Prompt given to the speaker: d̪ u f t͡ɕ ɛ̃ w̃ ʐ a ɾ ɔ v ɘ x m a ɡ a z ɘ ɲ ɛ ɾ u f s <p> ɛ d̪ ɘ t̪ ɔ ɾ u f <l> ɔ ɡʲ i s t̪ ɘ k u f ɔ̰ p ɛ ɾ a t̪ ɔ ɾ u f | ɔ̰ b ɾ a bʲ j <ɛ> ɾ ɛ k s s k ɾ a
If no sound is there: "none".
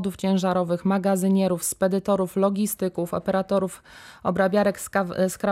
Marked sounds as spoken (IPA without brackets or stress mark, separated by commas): p, l, a